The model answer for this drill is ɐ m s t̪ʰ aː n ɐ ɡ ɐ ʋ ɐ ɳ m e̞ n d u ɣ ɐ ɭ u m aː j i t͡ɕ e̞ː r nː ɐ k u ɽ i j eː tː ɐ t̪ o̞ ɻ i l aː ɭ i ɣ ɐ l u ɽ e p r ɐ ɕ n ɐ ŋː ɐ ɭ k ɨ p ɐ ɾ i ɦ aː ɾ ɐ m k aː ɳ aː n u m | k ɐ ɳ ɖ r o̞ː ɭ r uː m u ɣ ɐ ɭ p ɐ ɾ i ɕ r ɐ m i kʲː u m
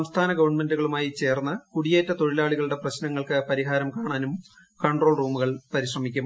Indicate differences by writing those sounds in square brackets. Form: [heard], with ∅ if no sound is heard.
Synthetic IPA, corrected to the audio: ɐ m s t̪ʰ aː n ɐ ɡ ɐ ʋ ɐ ɳ m e̞ n d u ɣ ɐ ɭ u m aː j i t͡ɕ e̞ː r nː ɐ k u ɽ i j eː tː ɐ t̪ o̞ ɻ i l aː ɭ i ɣ ɐ [ɭ] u ɽ e p r ɐ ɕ n ɐ ŋː ɐ ɭ k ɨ p ɐ ɾ i ɦ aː ɾ ɐ m k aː ɳ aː n u m | k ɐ ɳ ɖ r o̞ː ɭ r uː m u ɣ ɐ ɭ p ɐ ɾ i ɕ r ɐ m i kʲː u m

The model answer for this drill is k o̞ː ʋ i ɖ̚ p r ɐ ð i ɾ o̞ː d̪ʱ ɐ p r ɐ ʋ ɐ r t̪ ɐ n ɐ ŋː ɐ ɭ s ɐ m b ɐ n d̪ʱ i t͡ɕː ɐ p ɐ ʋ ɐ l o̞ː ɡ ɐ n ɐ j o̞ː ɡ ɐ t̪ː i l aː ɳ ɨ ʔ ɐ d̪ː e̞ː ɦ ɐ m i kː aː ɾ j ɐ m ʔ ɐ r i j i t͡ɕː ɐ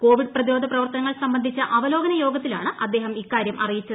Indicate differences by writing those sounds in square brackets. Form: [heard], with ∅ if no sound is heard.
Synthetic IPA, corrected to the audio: k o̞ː ʋ i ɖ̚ p r ɐ ð i ɾ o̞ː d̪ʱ ɐ p r ɐ ʋ ɐ r t̪ ɐ n ɐ ŋː ɐ ɭ s ɐ m b ɐ n d̪ʱ i t͡ɕː ɐ [ʔ] ɐ ʋ ɐ l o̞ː ɡ ɐ n ɐ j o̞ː ɡ ɐ t̪ː i l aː ɳ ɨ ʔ ɐ d̪ː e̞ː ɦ ɐ m i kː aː ɾ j ɐ m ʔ ɐ r i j i t͡ɕː ɐ

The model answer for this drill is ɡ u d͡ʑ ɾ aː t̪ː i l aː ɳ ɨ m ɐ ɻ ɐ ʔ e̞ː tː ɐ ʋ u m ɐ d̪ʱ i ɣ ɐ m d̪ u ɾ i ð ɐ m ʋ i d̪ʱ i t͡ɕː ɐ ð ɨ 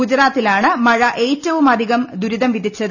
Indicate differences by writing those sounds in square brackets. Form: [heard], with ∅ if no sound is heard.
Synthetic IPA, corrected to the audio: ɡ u d͡ʑ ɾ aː t̪ː i l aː ɳ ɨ m ɐ ɻ ɐ ʔ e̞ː tː ɐ ʋ u m ɐ d̪ʱ i ɣ ɐ m d̪ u ɾ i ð ɐ m ʋ i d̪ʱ i t͡ɕː ɐ ð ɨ

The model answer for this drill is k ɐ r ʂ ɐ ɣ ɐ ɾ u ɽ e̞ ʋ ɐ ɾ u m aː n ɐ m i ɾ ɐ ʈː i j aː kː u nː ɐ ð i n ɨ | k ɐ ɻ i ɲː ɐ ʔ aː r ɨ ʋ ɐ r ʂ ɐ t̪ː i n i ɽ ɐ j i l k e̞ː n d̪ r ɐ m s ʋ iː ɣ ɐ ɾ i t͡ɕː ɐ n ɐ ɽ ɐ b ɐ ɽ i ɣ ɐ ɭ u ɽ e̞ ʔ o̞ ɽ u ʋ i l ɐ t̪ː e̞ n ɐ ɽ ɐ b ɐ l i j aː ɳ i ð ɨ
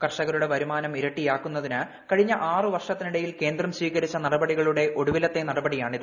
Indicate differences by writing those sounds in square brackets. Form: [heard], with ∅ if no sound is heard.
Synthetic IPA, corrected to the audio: k ɐ r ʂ ɐ ɣ ɐ ɾ u ɽ e̞ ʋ ɐ ɾ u m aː n ɐ m i ɾ ɐ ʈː i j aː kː u nː ɐ ð i n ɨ | k ɐ ɻ i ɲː ɐ ʔ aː r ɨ ʋ ɐ r ʂ ɐ t̪ː i n i ɽ ɐ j i l k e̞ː n d̪ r ɐ m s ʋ iː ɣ ɐ ɾ i t͡ɕː ɐ n ɐ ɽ ɐ b ɐ ɽ i ɣ ɐ ɭ u ɽ e̞ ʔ o̞ ɽ u ʋ i l ɐ t̪ː e̞ n ɐ ɽ ɐ b ɐ [ɽ] i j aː ɳ i ð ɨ

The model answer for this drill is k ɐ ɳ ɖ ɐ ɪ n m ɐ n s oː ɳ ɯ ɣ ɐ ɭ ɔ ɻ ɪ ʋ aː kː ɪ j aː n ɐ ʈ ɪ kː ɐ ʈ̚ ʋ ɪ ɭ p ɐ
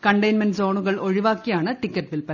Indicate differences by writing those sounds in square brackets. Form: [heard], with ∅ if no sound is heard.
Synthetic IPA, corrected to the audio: k ɐ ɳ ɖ ɐ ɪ n m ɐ n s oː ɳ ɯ ɣ ɐ ɭ ɔ ɻ ɪ ʋ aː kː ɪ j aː n ɐ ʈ ɪ kː ɐ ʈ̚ ʋ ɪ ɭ p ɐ

